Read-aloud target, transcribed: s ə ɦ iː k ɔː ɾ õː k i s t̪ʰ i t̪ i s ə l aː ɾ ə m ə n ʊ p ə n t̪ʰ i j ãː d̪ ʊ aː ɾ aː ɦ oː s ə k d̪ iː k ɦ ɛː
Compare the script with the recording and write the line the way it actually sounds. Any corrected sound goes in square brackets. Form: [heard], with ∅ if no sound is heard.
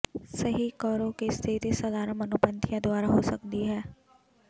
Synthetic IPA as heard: s ə ɦ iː k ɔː ɾ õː k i s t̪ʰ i t̪ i s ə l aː ɾ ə m ə n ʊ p ə n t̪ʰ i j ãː d̪ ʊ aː ɾ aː ɦ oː s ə k d̪ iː [∅] ɦ ɛː